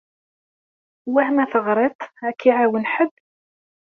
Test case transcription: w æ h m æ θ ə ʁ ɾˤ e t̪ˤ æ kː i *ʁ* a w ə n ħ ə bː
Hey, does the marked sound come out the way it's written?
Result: no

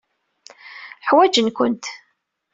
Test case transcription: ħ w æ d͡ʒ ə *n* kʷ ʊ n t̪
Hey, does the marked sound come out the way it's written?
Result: yes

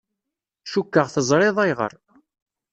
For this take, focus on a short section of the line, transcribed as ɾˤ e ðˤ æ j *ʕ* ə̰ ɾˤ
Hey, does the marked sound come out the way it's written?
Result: no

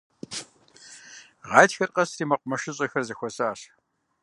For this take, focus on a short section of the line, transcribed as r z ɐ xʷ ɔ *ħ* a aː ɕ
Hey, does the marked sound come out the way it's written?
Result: no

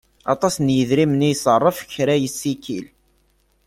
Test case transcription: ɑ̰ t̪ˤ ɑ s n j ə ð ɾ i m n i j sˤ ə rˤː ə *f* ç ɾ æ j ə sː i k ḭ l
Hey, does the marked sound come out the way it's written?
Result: yes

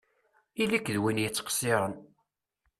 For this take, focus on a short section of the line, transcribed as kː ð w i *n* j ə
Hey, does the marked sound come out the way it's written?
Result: yes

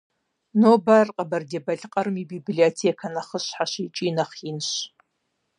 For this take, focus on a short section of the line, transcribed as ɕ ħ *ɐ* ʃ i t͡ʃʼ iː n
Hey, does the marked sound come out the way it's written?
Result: no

